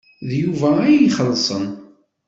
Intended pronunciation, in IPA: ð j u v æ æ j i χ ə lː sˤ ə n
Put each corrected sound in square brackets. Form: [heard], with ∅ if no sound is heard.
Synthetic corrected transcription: ð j u v æ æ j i χ ə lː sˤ ə n